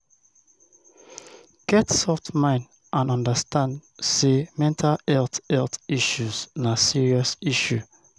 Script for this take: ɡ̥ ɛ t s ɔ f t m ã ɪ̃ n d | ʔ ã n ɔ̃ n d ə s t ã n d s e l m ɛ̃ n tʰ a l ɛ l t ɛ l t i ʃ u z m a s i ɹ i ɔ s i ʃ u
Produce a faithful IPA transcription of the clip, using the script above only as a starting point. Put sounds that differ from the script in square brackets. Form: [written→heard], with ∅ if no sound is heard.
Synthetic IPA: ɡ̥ ɛ t s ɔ f t m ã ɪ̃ n d | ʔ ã n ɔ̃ n d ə s t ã n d s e [l→∅] m ɛ̃ n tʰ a l ɛ l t ɛ l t i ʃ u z [m→n] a s i ɹ i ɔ s i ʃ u

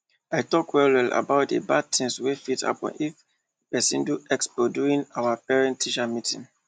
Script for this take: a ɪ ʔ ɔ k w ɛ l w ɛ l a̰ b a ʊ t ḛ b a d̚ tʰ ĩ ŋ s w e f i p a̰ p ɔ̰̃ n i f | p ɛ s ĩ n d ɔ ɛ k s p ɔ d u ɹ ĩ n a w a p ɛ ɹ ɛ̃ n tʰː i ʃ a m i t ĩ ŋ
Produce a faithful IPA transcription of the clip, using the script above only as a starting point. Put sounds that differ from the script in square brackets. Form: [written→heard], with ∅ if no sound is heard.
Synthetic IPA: a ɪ [ʔ→t] ɔ k w ɛ l w ɛ l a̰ b a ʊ t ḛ b a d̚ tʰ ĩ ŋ s w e f i [p→t] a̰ p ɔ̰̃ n i f | p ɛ s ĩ n d [ɔ→u] ɛ k s p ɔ d u ɹ ĩ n a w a p ɛ ɹ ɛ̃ n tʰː i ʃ a m i t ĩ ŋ

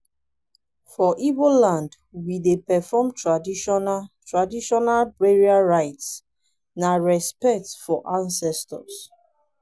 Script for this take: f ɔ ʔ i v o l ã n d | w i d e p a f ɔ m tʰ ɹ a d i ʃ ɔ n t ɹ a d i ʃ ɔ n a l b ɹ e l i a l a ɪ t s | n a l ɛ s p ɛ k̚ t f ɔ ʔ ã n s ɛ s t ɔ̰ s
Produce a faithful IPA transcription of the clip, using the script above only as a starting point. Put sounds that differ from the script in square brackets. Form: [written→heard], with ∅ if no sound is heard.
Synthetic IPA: f ɔ ʔ i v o l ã n d | w i d e p [a→ɛ] f ɔ m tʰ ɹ a d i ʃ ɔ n t ɹ a d i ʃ ɔ n a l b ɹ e [l→ɹ] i a [l→ɹ] a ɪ t s | n a [l→ɹ] ɛ s p ɛ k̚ t f ɔ ʔ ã n s ɛ s t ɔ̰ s

